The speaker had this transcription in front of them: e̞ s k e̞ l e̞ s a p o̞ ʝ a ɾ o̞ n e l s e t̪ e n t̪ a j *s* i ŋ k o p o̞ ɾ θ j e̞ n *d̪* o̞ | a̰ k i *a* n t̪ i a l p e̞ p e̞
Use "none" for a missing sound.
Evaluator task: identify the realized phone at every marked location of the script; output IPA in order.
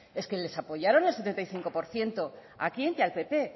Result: θ, t̪, e

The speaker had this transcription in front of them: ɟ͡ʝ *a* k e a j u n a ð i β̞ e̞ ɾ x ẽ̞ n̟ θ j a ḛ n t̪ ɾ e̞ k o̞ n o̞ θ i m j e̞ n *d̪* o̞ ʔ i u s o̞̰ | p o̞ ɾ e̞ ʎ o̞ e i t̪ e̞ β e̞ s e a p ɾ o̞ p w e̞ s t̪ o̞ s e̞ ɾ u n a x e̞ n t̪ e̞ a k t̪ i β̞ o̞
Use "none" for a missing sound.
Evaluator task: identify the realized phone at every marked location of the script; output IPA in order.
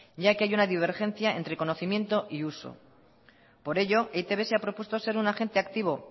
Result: a, t̪

